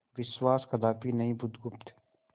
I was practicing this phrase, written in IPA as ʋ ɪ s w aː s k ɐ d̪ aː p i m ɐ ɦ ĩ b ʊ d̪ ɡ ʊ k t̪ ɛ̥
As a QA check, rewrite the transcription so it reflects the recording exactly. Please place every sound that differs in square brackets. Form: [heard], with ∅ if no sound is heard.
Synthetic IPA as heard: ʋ ɪ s w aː s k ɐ d̪ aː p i [n] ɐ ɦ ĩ b ʊ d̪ ɡ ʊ [p] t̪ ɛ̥